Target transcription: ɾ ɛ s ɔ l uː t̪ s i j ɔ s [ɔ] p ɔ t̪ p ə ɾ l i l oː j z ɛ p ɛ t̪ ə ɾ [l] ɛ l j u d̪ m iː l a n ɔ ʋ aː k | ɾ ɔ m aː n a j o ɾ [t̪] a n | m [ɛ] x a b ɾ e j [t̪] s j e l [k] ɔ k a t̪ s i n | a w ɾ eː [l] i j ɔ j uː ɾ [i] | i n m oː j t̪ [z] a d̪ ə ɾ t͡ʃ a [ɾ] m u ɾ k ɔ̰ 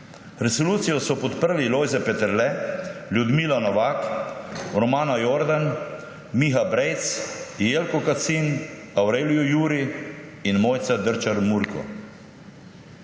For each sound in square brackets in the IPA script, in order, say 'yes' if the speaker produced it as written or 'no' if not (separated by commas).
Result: yes, yes, no, no, yes, yes, yes, yes, no, yes